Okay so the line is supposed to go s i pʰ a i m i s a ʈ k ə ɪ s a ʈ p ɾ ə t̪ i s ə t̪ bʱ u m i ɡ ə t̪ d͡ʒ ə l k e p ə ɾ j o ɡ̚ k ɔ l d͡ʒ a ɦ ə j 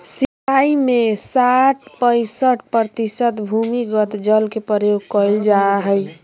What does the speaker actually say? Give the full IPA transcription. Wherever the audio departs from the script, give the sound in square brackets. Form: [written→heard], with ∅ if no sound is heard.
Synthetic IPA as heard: s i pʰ a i m [i→e] s a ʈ [k→p] ə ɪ s [a→ə] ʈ p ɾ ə t̪ i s ə t̪ bʱ u m i ɡ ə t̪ d͡ʒ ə l k e p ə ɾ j o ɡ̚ k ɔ l d͡ʒ a ɦ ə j